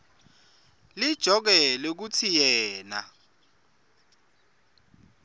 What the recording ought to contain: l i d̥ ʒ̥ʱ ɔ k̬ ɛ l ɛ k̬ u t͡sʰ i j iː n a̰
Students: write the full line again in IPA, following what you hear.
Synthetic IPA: l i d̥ ʒ̥ʱ ɔ k̬ ɛ l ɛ k̬ u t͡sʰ i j ɛː n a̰